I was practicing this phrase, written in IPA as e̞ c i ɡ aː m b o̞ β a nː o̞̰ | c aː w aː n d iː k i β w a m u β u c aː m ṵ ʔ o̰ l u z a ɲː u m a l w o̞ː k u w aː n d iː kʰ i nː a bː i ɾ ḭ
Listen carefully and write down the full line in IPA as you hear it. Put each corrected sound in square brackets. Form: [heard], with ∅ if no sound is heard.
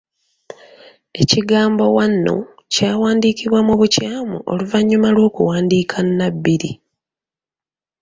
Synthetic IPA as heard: e̞ c i ɡ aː m b o̞ [w] a nː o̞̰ | c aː w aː n d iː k i β w a m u β u c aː m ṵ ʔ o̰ l u [v] a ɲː u m a l w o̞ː k u w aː n d iː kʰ [a] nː a bː i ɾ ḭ